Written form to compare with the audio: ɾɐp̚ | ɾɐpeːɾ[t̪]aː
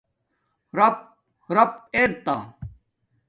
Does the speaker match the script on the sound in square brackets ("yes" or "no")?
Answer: yes